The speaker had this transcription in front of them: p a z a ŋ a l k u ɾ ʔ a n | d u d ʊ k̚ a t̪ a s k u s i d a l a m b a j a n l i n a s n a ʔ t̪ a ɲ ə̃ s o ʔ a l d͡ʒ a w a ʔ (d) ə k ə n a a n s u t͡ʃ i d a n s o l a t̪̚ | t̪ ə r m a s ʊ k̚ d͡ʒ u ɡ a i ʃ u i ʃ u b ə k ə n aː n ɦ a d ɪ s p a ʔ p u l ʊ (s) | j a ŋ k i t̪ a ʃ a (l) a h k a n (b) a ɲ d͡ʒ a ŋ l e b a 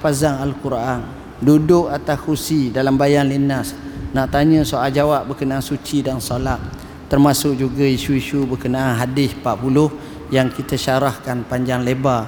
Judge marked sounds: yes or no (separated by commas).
no, no, no, no